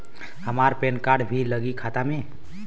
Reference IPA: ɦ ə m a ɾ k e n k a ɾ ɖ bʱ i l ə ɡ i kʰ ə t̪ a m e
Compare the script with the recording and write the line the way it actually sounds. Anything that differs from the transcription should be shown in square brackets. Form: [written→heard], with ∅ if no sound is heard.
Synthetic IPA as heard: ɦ ə m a ɾ [k→p] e n k a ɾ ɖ bʱ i l ə ɡ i kʰ [ə→a] t̪ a m e